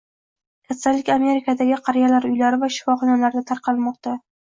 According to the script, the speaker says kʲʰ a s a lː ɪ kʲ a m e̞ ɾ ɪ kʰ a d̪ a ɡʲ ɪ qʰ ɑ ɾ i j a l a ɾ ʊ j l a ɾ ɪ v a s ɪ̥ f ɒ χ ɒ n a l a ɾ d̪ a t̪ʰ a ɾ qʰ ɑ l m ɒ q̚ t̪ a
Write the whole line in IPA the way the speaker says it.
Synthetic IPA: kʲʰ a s a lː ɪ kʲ a m e̞ ɾ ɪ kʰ a d̪ a ɡʲ ɪ qʰ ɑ ɾ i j a l a ɾ ʊ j l a ɾ ɪ v a ʃ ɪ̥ f ɒ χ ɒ n a l a ɾ d̪ a t̪ʰ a ɾ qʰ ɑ l m ɒ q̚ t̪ a